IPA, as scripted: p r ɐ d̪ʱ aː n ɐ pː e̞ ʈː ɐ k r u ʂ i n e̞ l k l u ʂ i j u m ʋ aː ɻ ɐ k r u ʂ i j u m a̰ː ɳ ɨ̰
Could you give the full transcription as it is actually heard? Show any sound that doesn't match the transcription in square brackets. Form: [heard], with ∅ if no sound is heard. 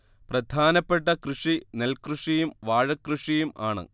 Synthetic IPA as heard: p r ɐ d̪ʱ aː n ɐ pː e̞ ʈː ɐ k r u ʂ i n e̞ l k [r] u ʂ i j u m ʋ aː ɻ ɐ k r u ʂ i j u m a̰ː ɳ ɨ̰